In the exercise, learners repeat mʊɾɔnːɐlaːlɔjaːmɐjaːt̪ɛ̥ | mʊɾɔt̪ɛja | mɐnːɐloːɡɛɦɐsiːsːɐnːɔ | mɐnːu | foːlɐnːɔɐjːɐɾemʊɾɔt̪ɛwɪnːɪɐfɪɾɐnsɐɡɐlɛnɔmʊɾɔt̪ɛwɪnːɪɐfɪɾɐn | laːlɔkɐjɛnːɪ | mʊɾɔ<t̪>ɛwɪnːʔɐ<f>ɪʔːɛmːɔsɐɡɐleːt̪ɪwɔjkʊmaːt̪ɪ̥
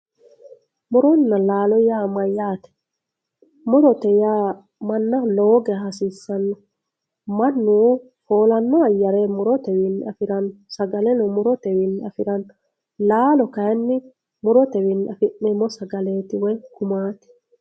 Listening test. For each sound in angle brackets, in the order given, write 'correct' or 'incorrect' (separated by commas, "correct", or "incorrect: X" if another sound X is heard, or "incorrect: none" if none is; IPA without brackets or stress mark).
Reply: correct, correct